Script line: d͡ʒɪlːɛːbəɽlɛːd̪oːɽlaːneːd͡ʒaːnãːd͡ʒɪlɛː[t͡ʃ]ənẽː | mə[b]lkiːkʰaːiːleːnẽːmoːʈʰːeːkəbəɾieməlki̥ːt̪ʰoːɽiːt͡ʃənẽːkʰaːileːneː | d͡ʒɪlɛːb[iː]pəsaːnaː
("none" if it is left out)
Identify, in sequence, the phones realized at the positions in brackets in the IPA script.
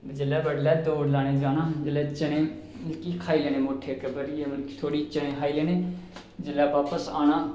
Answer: t͡ʃ, none, aː

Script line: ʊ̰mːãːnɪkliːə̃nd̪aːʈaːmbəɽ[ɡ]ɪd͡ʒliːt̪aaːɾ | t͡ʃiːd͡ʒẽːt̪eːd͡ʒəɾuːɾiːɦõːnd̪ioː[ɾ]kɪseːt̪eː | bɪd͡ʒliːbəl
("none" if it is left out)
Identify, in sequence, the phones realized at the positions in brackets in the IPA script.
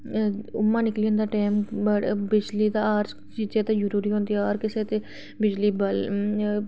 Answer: b, ɾ

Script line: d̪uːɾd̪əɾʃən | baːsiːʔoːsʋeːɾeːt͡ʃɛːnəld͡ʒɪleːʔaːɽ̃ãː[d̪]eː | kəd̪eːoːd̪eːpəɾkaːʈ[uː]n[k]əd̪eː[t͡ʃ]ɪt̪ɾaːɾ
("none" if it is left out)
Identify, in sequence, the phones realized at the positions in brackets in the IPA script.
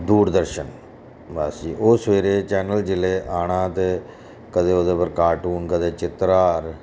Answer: t̪, uː, k, t͡ʃ

